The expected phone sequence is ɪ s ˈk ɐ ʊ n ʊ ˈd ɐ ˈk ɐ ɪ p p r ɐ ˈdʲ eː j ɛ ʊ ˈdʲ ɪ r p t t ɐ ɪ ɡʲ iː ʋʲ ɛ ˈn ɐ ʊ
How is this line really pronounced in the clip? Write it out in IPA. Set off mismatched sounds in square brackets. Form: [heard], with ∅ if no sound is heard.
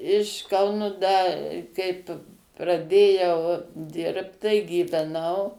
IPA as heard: ɪ [ʃ] ˈk ɐ ʊ n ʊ ˈd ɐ ˈk ɐ ɪ p p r ɐ ˈdʲ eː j ɛ ʊ ˈdʲ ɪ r p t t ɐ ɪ ɡʲ iː ʋʲ ɛ ˈn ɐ ʊ